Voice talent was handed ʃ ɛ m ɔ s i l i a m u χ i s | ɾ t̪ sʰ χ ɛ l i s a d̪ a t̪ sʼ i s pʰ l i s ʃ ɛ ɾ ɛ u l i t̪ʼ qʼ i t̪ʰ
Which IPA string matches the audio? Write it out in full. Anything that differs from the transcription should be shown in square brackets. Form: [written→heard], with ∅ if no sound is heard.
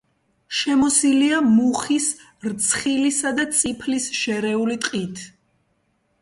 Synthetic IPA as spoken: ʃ ɛ m ɔ s i l i a m u χ i s | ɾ t̪ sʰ χ [ɛ→i] l i s a d̪ a t̪ sʼ i [s→∅] pʰ l i s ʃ ɛ ɾ ɛ u l i t̪ʼ qʼ i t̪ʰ